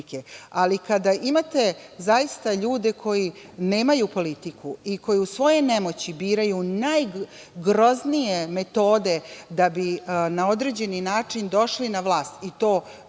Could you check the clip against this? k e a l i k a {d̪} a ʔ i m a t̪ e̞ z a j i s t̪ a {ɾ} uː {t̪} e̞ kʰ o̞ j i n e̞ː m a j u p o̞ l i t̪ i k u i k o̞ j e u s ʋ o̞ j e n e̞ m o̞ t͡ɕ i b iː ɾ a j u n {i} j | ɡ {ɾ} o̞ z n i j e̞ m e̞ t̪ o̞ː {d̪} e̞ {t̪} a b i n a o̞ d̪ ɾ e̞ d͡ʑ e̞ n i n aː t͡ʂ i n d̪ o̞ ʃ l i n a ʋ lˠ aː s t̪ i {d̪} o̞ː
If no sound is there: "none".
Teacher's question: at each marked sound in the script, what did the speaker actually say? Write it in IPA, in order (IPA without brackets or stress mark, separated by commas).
d̪, ʎ, d̪, a, ɾ, d̪, d̪, t̪